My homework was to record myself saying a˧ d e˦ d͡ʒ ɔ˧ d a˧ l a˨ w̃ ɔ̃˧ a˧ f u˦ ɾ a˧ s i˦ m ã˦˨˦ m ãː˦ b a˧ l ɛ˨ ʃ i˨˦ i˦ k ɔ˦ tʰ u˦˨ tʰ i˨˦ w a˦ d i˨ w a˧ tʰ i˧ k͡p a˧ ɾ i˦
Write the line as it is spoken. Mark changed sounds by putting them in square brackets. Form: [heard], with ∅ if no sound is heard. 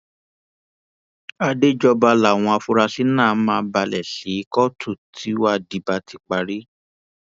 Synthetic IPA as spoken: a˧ d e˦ d͡ʒ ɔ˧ [b] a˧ l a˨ w̃ ɔ̃˧ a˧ f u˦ ɾ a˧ s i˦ [n] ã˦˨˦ m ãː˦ b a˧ l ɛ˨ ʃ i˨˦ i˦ k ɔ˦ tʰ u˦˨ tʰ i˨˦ w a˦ d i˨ [b] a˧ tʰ i˧ k͡p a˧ ɾ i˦